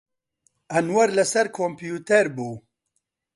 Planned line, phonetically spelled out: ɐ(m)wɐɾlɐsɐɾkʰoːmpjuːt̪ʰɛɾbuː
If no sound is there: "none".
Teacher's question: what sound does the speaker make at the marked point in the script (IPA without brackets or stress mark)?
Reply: n